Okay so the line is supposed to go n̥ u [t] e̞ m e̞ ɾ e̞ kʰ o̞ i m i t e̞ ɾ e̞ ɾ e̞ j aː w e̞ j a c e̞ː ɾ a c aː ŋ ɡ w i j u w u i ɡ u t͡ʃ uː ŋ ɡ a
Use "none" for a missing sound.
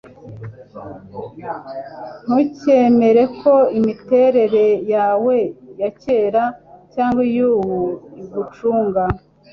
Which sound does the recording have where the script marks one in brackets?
c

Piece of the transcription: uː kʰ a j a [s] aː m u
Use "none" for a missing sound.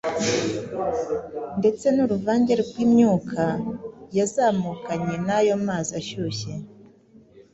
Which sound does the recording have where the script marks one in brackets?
z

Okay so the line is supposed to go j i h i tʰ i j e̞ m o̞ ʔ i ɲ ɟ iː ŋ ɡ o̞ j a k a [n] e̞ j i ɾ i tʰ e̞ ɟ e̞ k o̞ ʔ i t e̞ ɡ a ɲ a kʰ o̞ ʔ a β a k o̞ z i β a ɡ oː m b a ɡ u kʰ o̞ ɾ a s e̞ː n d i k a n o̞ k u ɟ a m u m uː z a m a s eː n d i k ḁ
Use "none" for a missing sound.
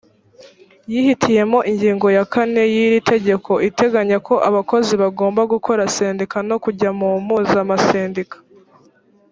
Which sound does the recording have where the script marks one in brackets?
n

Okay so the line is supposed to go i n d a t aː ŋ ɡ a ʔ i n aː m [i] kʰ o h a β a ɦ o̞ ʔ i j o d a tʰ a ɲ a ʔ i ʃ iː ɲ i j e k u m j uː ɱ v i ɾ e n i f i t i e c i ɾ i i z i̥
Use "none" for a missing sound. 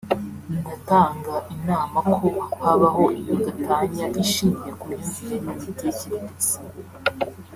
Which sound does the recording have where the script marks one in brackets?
a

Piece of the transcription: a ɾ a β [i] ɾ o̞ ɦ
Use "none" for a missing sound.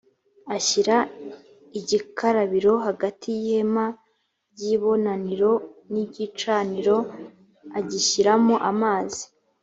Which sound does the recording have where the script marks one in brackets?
i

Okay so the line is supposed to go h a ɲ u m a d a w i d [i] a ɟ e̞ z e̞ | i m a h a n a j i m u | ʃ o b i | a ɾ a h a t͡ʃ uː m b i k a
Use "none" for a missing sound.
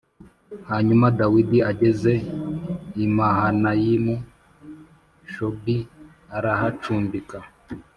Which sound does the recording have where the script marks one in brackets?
i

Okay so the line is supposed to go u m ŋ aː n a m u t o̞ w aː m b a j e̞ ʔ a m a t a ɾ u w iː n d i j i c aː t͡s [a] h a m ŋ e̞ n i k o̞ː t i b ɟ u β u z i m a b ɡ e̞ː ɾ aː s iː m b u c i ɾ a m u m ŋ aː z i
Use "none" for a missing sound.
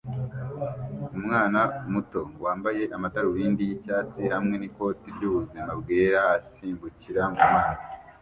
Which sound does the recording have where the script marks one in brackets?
i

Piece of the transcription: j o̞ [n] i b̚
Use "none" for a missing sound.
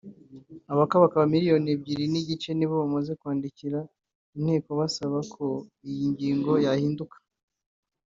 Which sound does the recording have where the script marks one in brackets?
n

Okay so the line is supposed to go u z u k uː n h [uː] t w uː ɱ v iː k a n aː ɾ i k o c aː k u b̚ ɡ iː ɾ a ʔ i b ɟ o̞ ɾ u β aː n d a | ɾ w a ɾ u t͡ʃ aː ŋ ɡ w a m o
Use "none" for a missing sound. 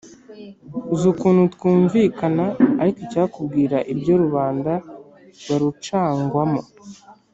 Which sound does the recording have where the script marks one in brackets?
u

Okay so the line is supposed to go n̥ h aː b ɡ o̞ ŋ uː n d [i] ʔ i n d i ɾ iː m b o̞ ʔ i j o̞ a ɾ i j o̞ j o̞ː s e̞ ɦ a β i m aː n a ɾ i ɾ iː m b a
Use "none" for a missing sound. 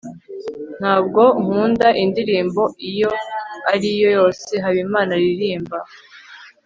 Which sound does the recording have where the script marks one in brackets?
a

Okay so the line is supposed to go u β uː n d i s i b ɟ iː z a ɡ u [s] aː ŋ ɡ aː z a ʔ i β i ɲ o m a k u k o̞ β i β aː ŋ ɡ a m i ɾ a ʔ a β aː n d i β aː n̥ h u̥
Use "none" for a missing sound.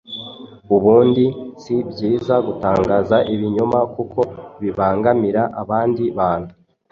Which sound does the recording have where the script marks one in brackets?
t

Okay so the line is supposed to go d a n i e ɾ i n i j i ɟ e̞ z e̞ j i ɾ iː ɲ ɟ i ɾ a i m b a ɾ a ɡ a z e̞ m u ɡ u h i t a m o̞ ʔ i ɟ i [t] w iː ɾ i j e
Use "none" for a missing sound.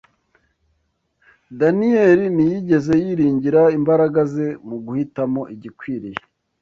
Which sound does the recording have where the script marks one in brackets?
k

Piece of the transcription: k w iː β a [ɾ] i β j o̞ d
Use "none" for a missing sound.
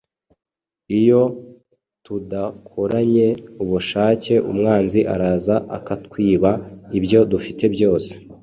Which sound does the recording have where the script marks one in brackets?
none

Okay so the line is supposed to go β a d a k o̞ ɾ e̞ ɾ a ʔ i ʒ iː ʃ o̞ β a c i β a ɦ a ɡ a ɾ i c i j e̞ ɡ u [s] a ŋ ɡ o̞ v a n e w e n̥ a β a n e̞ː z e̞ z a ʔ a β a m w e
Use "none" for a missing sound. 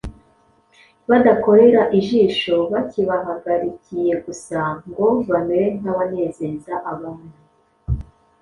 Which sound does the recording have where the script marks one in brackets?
s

